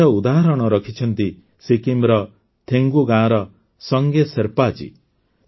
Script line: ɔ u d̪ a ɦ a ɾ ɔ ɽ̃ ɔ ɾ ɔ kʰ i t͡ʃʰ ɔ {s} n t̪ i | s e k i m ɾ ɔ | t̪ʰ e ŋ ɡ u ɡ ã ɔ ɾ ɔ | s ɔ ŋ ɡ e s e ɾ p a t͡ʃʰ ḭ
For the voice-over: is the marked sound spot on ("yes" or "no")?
no